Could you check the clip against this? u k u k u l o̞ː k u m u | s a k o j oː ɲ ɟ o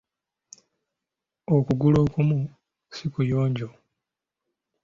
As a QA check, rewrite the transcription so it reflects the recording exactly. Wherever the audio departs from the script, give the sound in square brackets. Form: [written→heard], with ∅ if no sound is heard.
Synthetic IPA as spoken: [u→o] k u [k→ɡ] u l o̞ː k u m u | s [a→i] k [o→u] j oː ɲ ɟ o

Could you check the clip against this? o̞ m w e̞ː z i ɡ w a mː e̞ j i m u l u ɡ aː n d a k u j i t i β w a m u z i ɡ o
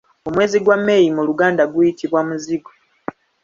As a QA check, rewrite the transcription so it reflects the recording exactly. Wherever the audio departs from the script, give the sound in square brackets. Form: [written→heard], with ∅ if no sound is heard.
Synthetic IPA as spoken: o̞ m w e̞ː z i ɡ w a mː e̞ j i m u l u ɡ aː n d a [k→ɡ] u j i t i β w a m u z i ɡ o

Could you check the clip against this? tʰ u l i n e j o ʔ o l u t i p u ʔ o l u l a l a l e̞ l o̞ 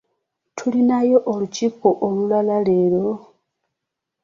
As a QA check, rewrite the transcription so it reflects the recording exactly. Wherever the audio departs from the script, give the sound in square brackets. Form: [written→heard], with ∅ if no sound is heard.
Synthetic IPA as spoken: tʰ u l i n [e→a] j o ʔ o l u [t→c] i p [u→o] ʔ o l u l a l a l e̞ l o̞

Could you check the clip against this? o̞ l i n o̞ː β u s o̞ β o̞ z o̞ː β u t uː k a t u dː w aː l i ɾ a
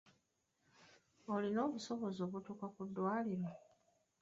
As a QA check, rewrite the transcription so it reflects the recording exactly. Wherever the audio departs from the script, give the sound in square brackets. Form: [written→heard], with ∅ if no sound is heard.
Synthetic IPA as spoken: o̞ l i n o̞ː β u s o̞ β o̞ z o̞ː β u t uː k a [t→k] u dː w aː l i ɾ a

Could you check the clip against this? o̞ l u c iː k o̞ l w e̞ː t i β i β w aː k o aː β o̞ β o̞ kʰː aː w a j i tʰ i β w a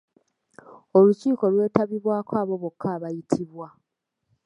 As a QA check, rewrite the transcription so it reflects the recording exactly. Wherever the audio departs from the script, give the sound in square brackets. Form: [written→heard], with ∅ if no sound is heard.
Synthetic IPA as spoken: o̞ l u c iː k o̞ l w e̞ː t [i→a] β i β w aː k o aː β o̞ β o̞ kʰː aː [w→β] a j i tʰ i β w a

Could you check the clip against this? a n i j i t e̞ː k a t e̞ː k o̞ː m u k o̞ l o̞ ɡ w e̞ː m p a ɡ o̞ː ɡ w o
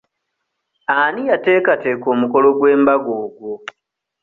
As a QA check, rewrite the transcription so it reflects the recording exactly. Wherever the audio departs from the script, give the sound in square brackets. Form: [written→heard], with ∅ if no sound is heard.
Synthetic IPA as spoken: a n i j [i→a] t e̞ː k a t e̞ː k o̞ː m u k o̞ l o̞ ɡ w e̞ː m [p→b] a ɡ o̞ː ɡ w o

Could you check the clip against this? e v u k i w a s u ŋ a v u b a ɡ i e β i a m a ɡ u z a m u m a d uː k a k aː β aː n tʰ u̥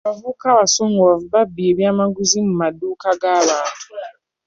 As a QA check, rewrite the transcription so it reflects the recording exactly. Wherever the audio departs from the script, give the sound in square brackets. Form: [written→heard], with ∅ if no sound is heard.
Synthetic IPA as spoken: [e→a] v u k [i→a] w a s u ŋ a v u b a [ɡ→b] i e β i a m a ɡ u z [a→i] m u m a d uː k a [k→ɡ] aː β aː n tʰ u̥

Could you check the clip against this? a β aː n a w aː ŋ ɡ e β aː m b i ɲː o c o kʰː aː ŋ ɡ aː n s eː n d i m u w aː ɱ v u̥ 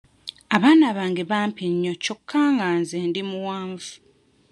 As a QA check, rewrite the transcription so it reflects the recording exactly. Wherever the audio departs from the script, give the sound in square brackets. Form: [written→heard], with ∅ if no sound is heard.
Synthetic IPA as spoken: a β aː n a [w→β] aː ŋ ɡ e β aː m [b→p] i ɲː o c o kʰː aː ŋ ɡ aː n [s→z] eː n d i m u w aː ɱ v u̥

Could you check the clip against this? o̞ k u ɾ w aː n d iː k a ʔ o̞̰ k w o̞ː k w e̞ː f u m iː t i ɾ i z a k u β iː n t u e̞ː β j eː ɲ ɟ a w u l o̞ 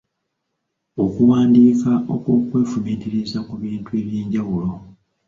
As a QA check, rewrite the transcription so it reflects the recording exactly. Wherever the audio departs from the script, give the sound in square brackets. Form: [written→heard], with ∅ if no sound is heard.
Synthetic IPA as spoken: o̞ k u [ɾ→∅] w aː n d iː k a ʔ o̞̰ k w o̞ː k w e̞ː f u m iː t i ɾ i z a k u β iː n t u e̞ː β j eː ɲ ɟ a w u l o̞

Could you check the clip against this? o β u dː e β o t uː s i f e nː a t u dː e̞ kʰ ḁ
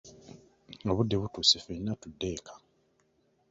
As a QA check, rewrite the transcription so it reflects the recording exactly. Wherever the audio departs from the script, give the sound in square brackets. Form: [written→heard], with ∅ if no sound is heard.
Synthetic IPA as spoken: o β u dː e β [o→u] t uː s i f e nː a t u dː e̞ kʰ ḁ

